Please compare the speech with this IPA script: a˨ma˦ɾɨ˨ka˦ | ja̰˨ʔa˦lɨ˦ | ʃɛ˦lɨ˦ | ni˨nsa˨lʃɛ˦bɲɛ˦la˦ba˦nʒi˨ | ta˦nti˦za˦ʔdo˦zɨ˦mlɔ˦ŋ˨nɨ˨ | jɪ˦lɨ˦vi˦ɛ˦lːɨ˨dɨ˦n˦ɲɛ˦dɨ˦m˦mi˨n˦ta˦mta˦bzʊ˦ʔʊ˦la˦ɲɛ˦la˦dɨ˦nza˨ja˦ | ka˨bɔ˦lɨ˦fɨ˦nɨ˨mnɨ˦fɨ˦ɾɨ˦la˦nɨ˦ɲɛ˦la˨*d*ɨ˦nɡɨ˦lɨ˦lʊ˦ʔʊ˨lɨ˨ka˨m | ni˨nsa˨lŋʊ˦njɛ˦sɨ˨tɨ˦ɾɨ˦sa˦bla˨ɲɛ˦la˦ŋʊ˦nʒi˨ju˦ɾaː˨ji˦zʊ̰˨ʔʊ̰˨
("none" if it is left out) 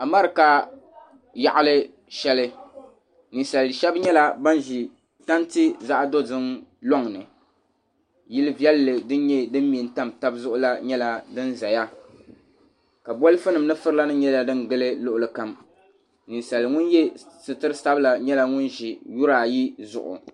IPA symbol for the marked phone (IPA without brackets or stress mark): d